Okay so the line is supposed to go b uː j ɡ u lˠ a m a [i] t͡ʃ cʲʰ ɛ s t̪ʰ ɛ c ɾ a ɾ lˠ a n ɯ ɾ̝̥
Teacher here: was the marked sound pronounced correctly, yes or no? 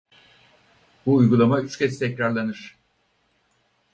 no